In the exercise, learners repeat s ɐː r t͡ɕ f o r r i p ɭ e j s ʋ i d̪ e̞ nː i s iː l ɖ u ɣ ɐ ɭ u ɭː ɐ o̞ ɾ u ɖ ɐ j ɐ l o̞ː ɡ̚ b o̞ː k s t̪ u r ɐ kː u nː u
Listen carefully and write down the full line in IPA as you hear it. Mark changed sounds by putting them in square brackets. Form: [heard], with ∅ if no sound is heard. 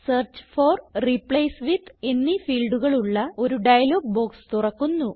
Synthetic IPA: s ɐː r t͡ɕ f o r r i p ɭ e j s ʋ i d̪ e̞ nː i [f] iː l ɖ u ɣ ɐ ɭ u ɭː ɐ o̞ ɾ u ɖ ɐ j ɐ l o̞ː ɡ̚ b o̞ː k s t̪ u r ɐ kː u nː u